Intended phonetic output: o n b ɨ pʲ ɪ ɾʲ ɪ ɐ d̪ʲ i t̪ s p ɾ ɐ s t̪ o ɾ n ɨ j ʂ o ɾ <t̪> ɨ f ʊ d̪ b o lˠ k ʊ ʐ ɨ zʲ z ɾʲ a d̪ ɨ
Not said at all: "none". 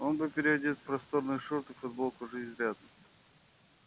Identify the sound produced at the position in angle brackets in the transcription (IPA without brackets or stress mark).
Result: t̪